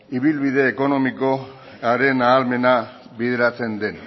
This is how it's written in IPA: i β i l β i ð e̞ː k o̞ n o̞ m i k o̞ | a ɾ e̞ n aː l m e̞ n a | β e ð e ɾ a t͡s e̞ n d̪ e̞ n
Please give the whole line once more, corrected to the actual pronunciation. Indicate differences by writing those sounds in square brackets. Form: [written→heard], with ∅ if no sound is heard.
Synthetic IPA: i β i l β i ð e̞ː k o̞ n o̞ m i k o̞ | a ɾ e̞ n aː l m e̞ n a | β [e→i] ð e ɾ a t͡s e̞ n d̪ e̞ n